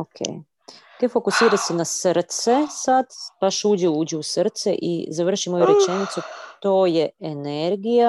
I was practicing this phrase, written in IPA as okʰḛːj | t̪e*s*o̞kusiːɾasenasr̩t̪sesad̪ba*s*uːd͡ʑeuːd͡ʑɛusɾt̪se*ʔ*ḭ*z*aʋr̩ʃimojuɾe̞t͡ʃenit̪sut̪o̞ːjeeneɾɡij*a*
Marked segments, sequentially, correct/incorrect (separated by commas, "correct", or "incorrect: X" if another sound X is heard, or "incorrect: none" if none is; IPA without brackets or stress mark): incorrect: f, incorrect: ʃ, correct, correct, correct